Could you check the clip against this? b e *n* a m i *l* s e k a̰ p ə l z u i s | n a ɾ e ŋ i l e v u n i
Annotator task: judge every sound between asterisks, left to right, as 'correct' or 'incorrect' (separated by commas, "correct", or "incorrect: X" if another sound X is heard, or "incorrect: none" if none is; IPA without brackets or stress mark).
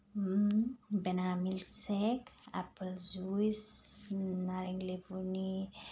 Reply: correct, correct